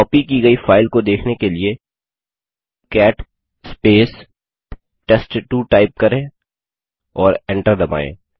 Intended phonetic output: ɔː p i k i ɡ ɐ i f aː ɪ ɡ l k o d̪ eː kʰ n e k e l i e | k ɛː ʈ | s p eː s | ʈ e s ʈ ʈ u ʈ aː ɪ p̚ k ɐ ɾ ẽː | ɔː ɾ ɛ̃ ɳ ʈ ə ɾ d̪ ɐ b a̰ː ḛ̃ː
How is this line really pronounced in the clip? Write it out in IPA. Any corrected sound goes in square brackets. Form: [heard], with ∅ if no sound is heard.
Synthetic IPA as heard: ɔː p i k i ɡ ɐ i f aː ɪ [∅] l k o d̪ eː kʰ n e k e l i e | k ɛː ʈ | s p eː s | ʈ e s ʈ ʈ u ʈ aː ɪ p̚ k ɐ ɾ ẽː | ɔː ɾ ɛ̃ ɳ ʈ ə ɾ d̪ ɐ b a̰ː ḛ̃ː

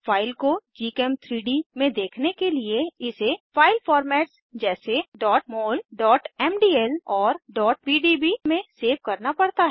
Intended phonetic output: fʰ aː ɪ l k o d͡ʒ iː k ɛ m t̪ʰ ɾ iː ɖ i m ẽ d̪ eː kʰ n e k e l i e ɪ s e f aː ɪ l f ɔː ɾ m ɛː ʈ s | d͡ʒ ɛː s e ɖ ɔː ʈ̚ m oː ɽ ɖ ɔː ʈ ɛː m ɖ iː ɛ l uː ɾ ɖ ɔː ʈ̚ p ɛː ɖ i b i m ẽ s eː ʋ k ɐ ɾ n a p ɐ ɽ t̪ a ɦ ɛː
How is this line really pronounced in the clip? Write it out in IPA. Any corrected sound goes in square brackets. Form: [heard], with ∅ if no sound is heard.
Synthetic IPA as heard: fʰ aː ɪ l k o d͡ʒ iː k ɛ m t̪ʰ ɾ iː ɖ i m ẽ d̪ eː kʰ n e k e l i e ɪ s e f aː ɪ l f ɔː ɾ m ɛː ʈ s | d͡ʒ ɛː s e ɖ ɔː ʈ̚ m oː [l] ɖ ɔː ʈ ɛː m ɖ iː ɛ l [ɔː] ɾ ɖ ɔː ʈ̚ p [iː] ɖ i b i m ẽ s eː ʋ k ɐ ɾ n a p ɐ ɽ t̪ a ɦ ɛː

